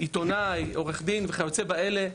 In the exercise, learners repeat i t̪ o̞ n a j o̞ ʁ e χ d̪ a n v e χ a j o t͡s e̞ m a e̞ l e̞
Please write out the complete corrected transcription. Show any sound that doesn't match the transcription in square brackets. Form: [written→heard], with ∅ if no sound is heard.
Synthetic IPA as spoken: i t̪ o̞ n a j o̞ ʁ e χ d̪ [a→i] n v e χ a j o t͡s e̞ [m→b] a e̞ l e̞